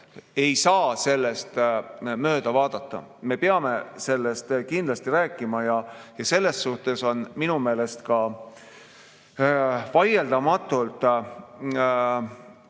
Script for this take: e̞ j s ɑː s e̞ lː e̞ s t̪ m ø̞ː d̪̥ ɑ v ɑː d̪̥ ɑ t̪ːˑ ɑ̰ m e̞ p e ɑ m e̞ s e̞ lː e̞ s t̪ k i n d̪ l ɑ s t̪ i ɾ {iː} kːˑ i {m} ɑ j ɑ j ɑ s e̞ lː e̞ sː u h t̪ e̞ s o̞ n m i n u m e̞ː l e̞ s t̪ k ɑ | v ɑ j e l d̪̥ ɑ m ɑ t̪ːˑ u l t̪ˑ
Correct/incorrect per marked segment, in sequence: incorrect: æː, correct

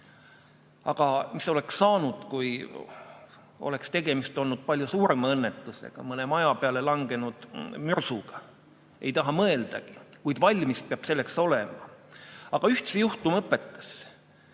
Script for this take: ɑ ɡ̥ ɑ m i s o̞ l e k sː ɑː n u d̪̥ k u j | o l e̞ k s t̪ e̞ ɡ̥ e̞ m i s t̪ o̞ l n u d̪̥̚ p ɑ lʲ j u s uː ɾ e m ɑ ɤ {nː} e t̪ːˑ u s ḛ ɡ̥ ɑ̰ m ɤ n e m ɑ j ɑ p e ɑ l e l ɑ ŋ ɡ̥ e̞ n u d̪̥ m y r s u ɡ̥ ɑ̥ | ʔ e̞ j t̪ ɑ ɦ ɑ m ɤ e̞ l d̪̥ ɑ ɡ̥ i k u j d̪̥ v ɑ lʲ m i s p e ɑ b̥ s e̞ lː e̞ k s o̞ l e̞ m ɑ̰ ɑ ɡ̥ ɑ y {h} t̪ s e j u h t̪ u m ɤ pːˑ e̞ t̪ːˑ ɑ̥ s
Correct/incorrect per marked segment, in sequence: correct, correct

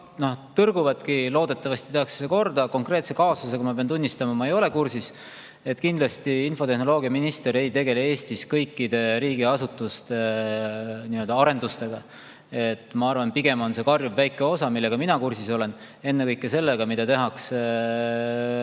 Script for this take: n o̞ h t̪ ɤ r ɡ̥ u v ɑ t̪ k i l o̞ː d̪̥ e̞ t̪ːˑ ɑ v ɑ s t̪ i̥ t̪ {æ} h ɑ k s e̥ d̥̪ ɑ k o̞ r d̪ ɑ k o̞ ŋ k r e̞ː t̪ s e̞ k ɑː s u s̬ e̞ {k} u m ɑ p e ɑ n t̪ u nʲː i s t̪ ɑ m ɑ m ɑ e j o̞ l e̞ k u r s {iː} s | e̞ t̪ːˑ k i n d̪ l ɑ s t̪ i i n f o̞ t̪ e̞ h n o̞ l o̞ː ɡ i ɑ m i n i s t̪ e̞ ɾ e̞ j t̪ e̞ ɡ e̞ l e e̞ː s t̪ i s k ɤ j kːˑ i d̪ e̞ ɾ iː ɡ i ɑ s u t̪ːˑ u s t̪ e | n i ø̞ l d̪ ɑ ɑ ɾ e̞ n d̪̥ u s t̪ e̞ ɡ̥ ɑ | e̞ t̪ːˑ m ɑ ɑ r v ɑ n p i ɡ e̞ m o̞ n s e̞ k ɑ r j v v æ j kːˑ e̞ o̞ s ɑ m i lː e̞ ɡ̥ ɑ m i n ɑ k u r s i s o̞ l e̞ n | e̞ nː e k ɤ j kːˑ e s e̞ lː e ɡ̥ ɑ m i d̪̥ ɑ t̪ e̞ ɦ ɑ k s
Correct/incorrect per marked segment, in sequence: incorrect: e, correct, incorrect: i

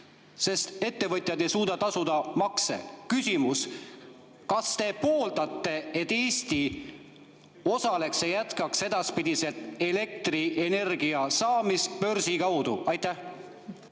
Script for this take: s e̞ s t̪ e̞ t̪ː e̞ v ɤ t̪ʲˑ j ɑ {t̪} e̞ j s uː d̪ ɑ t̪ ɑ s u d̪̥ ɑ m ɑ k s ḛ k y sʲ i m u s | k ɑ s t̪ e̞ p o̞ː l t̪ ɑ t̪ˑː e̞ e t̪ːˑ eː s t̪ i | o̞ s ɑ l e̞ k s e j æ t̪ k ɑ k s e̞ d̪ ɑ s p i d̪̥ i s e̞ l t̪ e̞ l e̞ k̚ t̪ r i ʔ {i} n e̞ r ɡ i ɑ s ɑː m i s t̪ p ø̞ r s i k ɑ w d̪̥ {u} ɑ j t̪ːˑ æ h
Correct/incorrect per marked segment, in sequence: incorrect: d̪, incorrect: e, correct

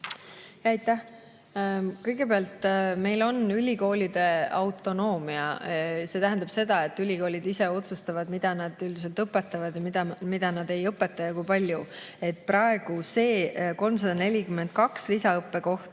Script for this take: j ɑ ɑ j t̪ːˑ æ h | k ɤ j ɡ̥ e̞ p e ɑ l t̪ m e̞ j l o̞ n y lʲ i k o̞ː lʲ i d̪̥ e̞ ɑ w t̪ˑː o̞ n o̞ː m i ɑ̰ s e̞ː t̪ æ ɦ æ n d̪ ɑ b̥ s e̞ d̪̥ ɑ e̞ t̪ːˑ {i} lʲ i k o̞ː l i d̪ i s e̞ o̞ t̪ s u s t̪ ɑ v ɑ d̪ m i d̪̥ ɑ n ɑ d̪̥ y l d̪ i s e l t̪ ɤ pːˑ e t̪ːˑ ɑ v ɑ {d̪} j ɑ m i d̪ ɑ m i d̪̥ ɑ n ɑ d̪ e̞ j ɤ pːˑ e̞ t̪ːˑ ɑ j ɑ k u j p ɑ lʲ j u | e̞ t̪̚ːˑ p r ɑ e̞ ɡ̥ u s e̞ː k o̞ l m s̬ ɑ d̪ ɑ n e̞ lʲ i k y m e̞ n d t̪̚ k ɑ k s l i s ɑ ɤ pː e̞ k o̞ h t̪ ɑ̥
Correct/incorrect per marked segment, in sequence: incorrect: y, correct

